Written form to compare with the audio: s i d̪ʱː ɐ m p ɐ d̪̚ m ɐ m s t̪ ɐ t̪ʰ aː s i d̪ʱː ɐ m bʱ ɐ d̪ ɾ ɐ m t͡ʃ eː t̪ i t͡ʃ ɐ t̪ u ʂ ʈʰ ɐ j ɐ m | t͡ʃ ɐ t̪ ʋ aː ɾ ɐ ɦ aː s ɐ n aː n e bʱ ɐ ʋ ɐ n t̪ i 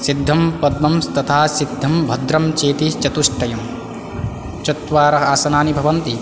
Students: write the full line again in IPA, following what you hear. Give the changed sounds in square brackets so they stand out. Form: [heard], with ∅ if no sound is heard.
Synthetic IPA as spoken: s i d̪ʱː ɐ m p ɐ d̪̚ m ɐ m s t̪ ɐ t̪ʰ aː s i d̪ʱː ɐ m bʱ ɐ d̪ ɾ ɐ m t͡ʃ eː t̪ i t͡ʃ ɐ t̪ u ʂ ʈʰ ɐ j ɐ m | t͡ʃ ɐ t̪ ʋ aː ɾ ɐ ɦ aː s ɐ n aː n [i] bʱ ɐ ʋ ɐ n t̪ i